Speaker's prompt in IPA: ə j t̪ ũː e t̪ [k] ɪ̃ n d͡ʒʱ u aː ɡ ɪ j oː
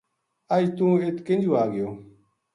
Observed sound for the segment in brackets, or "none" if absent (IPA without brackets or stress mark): k